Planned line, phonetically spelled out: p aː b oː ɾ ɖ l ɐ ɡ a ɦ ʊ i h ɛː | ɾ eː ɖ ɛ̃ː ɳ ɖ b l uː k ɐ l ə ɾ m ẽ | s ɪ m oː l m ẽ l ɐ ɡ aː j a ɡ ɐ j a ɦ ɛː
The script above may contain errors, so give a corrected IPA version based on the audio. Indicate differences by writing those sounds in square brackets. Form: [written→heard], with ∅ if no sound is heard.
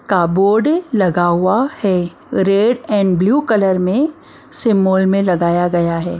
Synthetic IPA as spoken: [p→k] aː b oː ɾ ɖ l ɐ ɡ a ɦ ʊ [i→a] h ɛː | ɾ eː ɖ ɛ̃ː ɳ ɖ b l uː k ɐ l ə ɾ m ẽ | s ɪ m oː l m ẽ l ɐ ɡ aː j a ɡ ɐ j a ɦ ɛː